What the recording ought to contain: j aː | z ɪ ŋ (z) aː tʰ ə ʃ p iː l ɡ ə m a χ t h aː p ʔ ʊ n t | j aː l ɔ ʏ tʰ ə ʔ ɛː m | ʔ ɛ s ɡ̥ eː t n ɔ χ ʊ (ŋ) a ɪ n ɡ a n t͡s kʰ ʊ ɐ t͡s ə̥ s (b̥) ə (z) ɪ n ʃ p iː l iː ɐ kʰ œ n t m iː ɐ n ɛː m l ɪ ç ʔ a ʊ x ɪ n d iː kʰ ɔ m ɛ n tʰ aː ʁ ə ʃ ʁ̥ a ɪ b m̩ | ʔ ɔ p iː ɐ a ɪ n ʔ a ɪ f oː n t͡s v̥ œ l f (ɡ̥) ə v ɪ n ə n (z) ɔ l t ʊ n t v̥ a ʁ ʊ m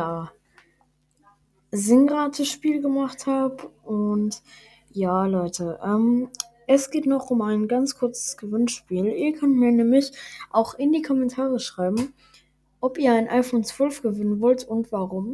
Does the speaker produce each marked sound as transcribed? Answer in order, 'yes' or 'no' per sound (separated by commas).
no, no, no, no, yes, no